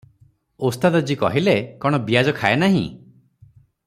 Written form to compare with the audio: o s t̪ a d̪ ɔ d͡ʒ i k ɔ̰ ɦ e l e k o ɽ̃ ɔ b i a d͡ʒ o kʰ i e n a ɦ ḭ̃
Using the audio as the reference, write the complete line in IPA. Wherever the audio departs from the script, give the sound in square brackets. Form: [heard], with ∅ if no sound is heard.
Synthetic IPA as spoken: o s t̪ a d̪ ɔ d͡ʒ i k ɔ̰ ɦ [i] l e k [ɔ] ɽ̃ ɔ b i a d͡ʒ [ɔ] kʰ [a] e n a ɦ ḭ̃